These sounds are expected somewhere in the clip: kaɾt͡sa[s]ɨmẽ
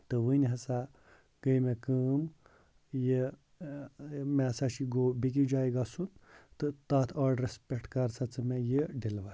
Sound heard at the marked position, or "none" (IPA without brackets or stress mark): t͡s